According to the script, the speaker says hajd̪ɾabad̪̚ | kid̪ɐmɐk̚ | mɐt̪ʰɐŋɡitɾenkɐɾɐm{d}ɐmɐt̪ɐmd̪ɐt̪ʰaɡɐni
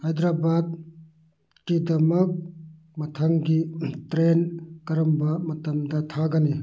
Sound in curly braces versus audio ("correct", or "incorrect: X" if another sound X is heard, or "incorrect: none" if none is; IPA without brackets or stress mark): incorrect: b